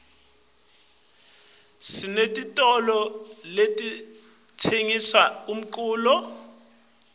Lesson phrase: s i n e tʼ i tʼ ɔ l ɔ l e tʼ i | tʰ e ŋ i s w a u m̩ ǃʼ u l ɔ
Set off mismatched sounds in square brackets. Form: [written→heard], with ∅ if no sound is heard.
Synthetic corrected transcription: s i n e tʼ i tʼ ɔ l ɔ l e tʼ i | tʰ e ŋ i s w a u m̩ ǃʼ [u→uː] l ɔ